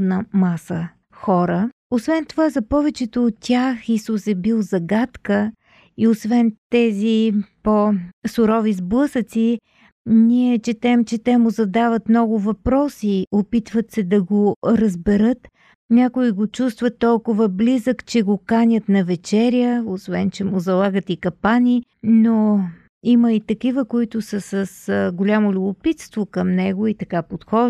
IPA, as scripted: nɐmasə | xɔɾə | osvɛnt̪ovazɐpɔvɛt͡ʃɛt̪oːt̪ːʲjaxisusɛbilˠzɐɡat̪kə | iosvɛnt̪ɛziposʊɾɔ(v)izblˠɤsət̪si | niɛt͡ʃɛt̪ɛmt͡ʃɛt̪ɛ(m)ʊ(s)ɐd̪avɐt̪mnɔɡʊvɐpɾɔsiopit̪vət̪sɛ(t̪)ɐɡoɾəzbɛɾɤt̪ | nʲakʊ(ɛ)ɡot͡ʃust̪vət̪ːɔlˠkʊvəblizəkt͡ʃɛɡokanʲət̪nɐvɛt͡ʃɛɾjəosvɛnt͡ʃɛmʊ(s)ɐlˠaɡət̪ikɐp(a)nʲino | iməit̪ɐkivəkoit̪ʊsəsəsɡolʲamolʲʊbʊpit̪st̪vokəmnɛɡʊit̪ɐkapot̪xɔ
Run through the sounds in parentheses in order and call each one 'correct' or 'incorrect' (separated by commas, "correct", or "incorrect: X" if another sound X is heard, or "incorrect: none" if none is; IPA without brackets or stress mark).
correct, correct, incorrect: z, incorrect: d̪, incorrect: i, incorrect: z, correct